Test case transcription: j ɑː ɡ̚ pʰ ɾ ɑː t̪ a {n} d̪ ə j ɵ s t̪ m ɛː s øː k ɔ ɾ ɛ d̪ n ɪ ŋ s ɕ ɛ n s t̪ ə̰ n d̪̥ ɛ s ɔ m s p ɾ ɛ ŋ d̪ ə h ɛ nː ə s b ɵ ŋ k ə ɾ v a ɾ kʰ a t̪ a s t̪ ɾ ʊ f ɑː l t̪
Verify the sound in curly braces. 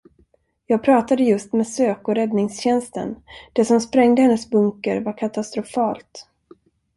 incorrect: none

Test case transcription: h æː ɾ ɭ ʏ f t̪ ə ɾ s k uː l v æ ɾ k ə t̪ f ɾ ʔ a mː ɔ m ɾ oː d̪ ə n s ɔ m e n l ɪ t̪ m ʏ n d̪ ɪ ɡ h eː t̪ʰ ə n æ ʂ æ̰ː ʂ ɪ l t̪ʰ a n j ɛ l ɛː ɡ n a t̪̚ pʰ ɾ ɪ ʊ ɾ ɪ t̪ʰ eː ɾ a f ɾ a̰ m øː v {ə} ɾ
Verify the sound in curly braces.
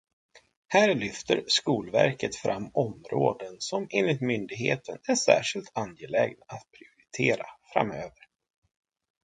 correct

